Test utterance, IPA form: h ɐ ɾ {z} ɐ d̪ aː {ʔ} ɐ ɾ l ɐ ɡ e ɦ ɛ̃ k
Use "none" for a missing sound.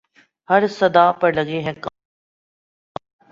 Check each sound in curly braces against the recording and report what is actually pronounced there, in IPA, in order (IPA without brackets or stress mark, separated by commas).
s, p